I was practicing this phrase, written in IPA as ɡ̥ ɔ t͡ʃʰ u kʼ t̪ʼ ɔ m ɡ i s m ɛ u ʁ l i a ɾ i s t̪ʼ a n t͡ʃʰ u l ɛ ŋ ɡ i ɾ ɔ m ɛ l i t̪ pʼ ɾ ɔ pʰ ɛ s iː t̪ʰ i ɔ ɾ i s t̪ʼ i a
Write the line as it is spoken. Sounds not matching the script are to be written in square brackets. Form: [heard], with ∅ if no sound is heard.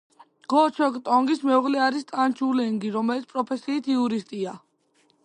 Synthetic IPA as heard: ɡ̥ ɔ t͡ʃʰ [ɔ] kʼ t̪ʼ ɔ [ŋ] ɡ i s m ɛ u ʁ l [ɛ] a ɾ i s t̪ʼ a n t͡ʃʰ u l ɛ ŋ ɡ i ɾ ɔ m ɛ l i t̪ pʼ ɾ ɔ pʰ ɛ s iː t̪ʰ i [u] ɾ i s t̪ʼ i a